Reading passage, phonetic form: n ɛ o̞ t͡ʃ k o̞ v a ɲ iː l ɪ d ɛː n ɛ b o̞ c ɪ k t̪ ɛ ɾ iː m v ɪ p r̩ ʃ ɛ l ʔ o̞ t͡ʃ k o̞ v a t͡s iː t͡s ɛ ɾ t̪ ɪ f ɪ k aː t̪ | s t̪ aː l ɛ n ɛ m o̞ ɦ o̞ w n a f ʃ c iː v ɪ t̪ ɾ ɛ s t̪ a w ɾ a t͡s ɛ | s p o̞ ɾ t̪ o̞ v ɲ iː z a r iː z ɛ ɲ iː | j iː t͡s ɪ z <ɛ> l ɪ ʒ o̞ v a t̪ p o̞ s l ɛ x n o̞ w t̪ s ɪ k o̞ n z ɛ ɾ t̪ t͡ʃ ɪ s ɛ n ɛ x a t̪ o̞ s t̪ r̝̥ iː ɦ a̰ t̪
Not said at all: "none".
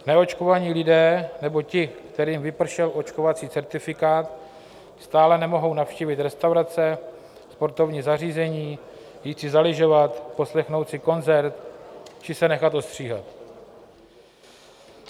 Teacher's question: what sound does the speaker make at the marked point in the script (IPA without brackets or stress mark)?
a